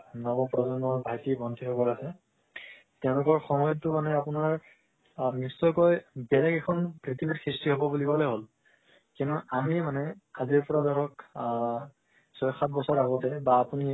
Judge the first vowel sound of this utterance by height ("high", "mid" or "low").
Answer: mid